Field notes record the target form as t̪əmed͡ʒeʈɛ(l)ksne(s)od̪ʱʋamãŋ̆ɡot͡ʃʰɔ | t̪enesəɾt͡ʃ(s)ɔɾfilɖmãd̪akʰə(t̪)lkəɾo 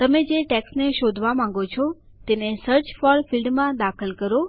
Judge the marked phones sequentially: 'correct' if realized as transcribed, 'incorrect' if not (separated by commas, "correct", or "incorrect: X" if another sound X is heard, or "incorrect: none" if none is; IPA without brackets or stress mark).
incorrect: none, incorrect: ʃ, incorrect: f, incorrect: none